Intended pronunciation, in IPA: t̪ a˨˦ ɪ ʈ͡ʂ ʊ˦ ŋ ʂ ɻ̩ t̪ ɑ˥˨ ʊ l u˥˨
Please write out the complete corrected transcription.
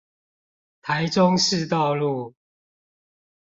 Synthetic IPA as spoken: t̪ʰ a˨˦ ɪ ʈ͡ʂ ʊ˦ ŋ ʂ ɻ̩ t̪ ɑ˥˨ ʊ l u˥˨